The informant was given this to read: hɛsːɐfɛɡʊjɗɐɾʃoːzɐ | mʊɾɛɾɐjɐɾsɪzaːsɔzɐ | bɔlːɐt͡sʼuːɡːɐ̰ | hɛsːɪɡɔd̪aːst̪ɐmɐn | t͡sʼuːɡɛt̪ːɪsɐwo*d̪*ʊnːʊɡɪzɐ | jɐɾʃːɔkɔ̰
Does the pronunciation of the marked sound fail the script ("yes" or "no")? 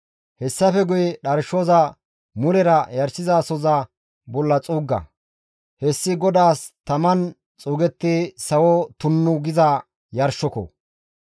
yes